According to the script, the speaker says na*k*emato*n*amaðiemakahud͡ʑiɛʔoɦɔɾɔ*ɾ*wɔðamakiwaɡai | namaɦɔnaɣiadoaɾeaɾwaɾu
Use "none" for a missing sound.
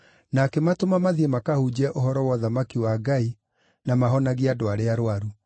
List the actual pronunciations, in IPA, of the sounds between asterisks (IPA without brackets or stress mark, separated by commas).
k, m, none